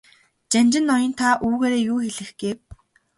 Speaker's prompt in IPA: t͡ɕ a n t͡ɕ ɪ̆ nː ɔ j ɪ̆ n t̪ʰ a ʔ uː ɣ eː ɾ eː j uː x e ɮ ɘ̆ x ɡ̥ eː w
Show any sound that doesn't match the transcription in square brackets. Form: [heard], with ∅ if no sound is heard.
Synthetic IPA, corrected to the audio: t͡ɕ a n t͡ɕ ɪ̆ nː ɔ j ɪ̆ n t̪ʰ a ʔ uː ɣ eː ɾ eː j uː x e ɮ ɘ̆ x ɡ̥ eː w